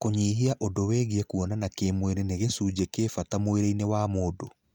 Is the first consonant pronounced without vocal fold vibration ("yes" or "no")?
yes